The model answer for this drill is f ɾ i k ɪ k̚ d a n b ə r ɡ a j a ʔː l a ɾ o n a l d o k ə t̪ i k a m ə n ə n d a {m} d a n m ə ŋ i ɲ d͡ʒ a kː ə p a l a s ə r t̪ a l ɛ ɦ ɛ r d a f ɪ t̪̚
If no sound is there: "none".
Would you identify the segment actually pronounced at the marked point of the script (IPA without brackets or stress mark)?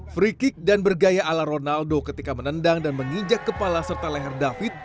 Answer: ŋ